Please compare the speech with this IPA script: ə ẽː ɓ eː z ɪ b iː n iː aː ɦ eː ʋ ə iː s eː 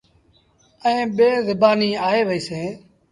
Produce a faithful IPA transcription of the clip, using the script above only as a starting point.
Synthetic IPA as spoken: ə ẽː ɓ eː z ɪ b aː n iː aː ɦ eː ʋ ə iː s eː